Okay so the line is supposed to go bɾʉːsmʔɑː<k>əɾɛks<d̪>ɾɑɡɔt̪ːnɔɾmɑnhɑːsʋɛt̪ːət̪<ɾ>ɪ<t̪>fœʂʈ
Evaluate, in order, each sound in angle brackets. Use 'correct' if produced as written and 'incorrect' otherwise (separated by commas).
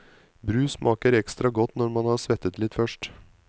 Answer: correct, incorrect, incorrect, correct